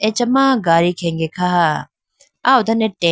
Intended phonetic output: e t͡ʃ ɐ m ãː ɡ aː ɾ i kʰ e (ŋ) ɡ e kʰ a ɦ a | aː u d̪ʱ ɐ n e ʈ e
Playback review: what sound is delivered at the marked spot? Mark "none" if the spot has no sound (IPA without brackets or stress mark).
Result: ŋ